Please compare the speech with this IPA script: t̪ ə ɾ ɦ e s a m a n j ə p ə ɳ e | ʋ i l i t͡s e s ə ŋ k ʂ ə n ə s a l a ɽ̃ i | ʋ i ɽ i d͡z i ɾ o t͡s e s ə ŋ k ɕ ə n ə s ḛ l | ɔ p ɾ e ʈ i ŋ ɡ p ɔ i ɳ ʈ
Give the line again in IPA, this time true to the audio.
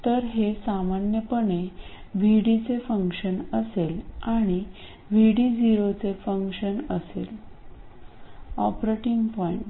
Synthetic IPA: t̪ ə ɾ ɦ e s a m a n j ə p ə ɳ e | ʋ i ɽ i t͡s e f ə ŋ k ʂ ə n ə s e l a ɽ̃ i | ʋ i ɽ i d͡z i ɾ o t͡s e f ə ŋ k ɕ ə n ə s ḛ l | ɔ p ɾ e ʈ i ŋ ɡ p ɔ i ɳ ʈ